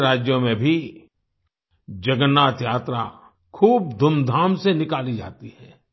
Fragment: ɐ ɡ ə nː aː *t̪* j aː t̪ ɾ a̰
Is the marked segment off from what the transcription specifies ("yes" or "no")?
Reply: no